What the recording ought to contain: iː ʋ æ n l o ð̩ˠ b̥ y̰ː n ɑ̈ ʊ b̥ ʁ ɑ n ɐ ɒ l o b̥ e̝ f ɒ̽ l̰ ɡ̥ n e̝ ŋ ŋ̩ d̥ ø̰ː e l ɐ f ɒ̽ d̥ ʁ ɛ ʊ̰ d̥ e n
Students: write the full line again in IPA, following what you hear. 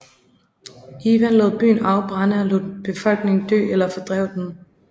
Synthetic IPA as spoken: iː ʋ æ n l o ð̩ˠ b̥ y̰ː n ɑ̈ ʊ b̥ ʁ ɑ n ə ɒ l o b̥ e̝ f ɒ̽ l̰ ɡ̥ n e̝ ŋ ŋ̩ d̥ ø̰ː e l ɐ f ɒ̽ d̥ ʁ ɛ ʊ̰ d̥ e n